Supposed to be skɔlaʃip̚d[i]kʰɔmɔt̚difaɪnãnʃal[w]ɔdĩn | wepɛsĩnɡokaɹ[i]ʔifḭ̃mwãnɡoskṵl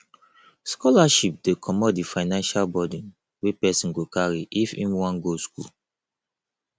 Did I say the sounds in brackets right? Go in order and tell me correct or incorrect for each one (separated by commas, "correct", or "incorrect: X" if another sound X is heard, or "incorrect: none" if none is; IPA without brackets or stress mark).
incorrect: e, incorrect: b, correct